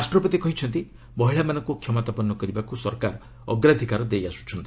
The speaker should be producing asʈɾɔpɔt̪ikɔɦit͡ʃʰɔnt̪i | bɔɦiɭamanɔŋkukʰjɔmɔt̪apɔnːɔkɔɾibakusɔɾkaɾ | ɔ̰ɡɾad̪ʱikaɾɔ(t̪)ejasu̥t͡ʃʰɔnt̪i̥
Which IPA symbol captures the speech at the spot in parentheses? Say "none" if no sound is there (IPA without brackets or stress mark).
d̪